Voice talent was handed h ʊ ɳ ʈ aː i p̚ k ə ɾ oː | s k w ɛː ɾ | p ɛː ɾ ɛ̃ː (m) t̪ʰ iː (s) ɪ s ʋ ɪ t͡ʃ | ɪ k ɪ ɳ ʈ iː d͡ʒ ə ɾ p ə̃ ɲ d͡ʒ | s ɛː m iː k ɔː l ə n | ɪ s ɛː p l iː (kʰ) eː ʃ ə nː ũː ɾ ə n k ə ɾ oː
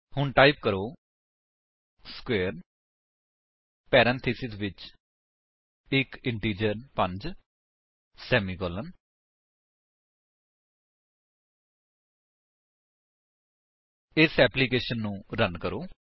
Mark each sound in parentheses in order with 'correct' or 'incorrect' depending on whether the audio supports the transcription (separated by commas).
incorrect, correct, incorrect